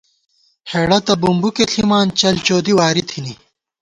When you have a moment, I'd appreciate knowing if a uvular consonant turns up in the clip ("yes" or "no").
no